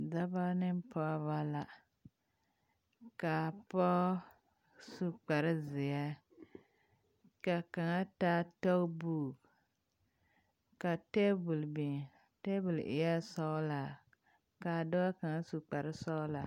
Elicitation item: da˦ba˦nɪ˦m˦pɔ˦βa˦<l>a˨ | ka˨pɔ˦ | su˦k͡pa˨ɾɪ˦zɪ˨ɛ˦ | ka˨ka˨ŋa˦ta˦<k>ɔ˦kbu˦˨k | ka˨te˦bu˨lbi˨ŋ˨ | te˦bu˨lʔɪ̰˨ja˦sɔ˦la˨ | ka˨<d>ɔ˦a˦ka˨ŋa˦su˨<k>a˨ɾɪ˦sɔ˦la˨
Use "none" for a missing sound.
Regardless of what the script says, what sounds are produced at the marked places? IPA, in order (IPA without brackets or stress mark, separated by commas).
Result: l, t, d, k͡p